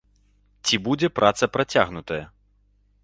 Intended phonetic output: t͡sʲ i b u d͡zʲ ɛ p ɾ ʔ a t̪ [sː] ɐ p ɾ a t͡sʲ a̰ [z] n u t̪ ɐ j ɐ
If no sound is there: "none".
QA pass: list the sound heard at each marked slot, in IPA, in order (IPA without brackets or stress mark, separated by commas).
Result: s, ɣ